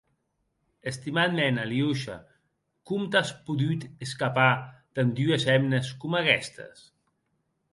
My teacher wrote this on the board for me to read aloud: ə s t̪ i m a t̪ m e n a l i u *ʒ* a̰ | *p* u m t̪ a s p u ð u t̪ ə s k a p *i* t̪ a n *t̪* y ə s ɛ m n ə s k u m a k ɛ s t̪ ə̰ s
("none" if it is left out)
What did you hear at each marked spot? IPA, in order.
ʃ, k, a, d̪

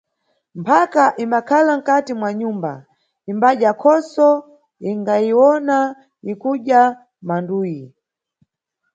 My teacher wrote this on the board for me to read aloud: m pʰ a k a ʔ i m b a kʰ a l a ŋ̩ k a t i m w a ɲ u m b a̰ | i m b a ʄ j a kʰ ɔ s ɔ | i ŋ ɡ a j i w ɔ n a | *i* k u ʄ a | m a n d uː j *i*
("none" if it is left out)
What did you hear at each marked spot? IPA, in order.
i, i

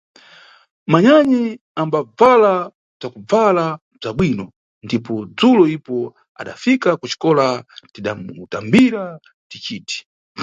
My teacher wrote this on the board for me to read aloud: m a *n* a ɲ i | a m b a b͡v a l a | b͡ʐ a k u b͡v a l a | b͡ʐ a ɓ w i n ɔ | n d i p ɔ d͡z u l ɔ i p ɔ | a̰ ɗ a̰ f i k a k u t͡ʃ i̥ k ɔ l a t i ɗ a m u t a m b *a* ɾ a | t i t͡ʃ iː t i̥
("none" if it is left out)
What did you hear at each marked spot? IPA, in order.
ɲ, i

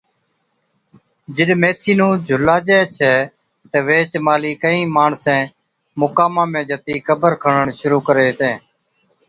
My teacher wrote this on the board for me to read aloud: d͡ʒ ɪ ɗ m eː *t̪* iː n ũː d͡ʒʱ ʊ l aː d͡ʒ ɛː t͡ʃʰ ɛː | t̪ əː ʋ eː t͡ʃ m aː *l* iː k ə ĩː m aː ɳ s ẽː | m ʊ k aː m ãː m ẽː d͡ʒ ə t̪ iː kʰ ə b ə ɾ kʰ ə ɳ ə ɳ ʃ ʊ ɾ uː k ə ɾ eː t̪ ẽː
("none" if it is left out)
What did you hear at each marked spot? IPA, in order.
t̪ʰ, l

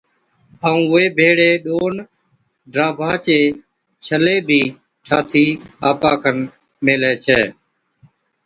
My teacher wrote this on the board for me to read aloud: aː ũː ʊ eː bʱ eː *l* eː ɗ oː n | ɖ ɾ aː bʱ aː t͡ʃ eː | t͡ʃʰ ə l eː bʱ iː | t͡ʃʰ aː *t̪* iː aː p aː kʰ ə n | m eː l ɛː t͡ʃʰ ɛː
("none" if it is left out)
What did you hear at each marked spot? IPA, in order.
ɽ, t̪ʰ

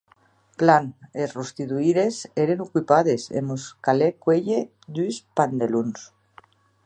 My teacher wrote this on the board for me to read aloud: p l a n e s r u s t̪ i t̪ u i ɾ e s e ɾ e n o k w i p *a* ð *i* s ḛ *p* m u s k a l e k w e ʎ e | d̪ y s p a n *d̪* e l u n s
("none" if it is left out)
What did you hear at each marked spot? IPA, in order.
a, e, none, d̪

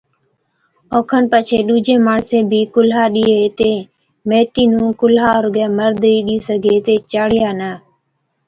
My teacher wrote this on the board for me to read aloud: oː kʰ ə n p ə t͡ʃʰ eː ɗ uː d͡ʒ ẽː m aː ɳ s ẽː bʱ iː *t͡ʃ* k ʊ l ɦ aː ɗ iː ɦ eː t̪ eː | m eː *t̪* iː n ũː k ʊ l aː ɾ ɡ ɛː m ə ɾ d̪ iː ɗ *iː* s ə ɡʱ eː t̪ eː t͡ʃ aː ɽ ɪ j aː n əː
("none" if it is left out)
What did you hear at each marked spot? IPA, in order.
none, t̪, iː

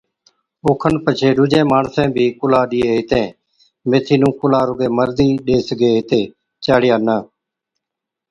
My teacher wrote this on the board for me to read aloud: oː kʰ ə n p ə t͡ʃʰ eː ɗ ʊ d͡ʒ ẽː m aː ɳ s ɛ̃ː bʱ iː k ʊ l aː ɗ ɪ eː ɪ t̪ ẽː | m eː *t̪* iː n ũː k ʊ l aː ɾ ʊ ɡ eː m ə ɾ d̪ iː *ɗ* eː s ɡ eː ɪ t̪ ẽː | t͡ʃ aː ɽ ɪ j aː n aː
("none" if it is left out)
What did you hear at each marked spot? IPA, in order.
t̪ʰ, ɗ

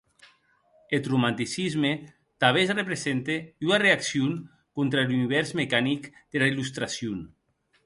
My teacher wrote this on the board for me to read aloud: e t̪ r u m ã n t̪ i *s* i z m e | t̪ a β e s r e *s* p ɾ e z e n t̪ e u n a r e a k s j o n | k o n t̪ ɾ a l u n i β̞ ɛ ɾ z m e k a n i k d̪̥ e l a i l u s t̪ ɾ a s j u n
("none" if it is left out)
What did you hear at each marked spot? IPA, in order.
s, none

